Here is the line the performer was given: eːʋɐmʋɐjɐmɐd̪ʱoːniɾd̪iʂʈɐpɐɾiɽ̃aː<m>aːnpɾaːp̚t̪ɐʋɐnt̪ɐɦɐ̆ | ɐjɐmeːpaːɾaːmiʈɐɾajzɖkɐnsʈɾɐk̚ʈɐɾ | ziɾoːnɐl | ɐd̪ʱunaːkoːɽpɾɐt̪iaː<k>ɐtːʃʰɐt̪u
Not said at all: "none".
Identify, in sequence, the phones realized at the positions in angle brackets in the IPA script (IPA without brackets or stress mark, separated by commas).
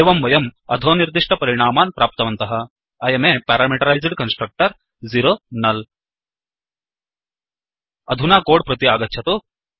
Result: m, ɡ